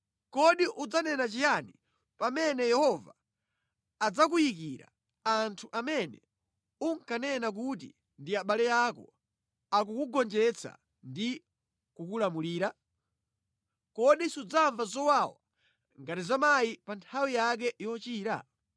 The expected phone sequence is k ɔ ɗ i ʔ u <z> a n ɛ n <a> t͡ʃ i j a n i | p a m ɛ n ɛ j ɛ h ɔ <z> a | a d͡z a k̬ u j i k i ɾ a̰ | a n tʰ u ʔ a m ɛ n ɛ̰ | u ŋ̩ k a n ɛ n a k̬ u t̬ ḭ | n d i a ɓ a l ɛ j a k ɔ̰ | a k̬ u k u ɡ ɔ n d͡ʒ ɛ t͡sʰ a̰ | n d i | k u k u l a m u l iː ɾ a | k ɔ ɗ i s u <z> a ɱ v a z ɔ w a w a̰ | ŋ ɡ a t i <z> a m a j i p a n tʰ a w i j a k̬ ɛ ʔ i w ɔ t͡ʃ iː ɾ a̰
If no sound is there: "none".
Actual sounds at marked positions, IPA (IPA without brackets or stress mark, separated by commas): d͡z, a, v, d͡z, z